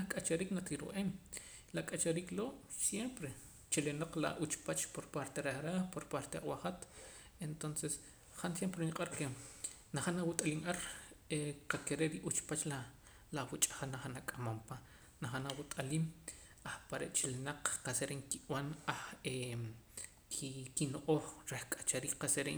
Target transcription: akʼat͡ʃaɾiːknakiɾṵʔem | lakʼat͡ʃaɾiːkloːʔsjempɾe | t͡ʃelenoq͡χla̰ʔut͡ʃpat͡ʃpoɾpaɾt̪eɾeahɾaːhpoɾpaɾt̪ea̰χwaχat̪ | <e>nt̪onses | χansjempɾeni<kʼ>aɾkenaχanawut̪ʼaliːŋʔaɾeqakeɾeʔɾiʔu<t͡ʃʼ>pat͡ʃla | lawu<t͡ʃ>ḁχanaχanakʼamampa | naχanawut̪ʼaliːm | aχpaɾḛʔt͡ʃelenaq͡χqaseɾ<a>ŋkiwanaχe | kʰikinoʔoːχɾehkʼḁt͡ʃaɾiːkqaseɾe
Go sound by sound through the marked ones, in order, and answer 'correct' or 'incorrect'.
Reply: correct, incorrect: qʼ, incorrect: t͡ʃ, incorrect: t͡ʃʼ, incorrect: e

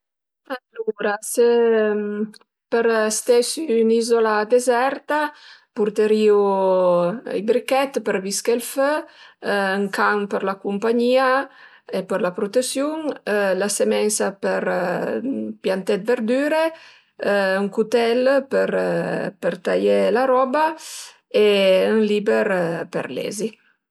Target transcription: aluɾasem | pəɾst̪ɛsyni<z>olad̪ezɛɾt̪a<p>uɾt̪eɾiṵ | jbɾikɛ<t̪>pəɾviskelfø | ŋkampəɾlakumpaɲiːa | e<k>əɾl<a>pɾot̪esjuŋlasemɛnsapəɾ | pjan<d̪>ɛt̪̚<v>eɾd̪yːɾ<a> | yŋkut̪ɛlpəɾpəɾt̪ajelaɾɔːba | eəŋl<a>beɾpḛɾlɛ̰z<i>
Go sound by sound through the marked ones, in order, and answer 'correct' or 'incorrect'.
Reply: correct, correct, correct, incorrect: p, correct, incorrect: t̪, correct, incorrect: e, incorrect: i, correct

